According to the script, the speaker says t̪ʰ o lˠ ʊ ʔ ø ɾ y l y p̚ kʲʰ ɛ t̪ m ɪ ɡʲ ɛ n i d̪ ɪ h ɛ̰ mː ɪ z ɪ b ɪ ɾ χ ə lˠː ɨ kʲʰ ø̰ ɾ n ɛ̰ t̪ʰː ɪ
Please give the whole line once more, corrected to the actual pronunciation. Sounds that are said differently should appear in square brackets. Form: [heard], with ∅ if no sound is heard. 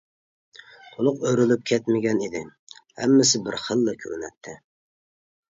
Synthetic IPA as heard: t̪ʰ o lˠ ʊ [q] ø ɾ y l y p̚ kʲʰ ɛ t̪ m ɪ ɡʲ ɛ n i d̪ ɪ h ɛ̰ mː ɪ [s] ɪ b ɪ ɾ χ ə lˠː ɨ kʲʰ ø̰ ɾ n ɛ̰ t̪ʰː ɪ